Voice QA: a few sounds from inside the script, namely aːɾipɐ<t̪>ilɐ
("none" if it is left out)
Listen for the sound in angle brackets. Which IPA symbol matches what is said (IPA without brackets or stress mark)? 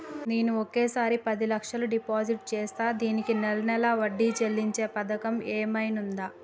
d̪